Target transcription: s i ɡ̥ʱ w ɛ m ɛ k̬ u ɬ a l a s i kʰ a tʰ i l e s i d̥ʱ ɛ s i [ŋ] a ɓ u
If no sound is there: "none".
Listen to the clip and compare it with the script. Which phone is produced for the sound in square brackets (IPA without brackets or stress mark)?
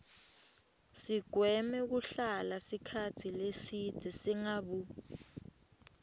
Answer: ŋ